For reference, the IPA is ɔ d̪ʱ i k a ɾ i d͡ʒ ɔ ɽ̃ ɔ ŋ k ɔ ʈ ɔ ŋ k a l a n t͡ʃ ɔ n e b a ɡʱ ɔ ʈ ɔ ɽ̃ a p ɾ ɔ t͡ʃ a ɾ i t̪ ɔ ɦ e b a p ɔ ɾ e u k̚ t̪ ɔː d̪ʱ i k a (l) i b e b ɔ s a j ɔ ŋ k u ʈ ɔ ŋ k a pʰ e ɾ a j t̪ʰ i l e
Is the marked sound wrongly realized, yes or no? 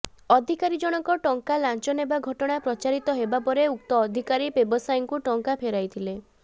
yes